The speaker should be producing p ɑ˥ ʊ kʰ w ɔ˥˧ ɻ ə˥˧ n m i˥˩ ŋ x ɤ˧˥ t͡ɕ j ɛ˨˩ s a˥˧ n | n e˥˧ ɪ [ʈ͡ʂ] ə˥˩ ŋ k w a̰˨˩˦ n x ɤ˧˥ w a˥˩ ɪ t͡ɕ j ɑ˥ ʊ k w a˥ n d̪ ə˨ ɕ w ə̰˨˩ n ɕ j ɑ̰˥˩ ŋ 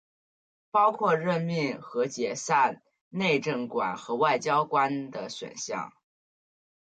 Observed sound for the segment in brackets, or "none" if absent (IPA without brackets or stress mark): ʈ͡ʂ